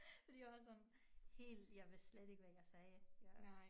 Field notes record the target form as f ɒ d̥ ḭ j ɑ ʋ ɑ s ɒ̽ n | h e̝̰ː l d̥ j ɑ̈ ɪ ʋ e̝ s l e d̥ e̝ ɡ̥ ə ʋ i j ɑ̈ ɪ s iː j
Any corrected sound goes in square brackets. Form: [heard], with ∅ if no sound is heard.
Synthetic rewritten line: f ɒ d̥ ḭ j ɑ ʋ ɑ s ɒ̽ n | h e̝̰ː l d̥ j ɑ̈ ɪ ʋ e̝ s l e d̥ e̝ ɡ̥ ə ʋ [æ] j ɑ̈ ɪ s [ɛː] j